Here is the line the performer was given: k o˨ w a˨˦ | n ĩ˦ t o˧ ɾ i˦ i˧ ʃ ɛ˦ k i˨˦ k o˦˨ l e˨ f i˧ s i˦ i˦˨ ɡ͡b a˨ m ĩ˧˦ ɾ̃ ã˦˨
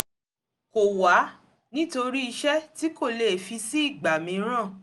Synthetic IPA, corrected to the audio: k o˨ w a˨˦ | n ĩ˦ t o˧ ɾ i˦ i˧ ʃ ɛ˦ t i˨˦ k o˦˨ l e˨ f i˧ s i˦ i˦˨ ɡ͡b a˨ m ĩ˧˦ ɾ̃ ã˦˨